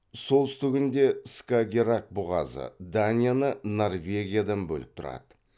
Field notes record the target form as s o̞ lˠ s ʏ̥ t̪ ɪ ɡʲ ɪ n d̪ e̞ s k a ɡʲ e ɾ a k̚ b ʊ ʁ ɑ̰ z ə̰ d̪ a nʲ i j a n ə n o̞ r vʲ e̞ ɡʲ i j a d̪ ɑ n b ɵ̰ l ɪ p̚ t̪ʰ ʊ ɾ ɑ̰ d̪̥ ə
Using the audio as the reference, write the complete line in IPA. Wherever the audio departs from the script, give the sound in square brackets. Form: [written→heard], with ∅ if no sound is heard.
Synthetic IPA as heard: s o̞ lˠ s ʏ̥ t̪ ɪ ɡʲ ɪ n d̪ e̞ s k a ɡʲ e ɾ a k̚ b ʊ ʁ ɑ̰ z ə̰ d̪ a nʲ i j a n ə n o̞ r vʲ e̞ ɡʲ i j a d̪ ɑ n b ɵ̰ l ɪ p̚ t̪ʰ ʊ ɾ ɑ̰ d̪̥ ə